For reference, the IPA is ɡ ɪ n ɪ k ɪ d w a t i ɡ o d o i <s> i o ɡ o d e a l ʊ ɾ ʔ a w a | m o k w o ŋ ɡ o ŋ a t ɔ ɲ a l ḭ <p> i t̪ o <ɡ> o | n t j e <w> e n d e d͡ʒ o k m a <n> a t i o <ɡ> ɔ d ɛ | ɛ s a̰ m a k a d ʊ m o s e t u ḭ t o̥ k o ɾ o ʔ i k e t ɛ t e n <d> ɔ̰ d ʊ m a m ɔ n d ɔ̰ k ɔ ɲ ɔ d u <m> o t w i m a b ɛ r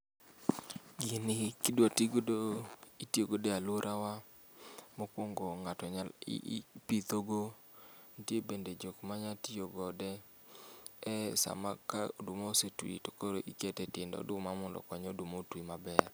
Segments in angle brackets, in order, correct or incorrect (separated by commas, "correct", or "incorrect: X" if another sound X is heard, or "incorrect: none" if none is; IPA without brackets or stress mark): incorrect: t, correct, correct, incorrect: b, incorrect: ɲ, correct, correct, correct